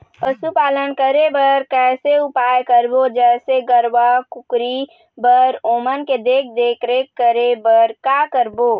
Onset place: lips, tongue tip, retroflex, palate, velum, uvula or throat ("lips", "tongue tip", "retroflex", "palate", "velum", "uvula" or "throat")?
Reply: lips